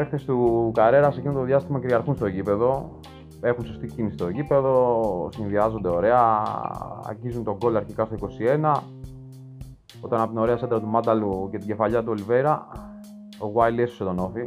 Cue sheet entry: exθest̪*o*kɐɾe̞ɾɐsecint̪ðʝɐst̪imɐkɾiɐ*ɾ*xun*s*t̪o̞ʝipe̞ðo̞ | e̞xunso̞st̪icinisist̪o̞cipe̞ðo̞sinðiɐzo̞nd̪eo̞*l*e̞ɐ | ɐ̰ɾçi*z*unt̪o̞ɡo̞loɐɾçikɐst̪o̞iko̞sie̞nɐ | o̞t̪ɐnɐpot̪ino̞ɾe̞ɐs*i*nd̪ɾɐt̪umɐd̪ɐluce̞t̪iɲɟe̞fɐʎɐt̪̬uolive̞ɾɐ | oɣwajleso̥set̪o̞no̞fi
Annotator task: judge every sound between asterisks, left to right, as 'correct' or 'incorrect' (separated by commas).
incorrect, correct, correct, incorrect, correct, incorrect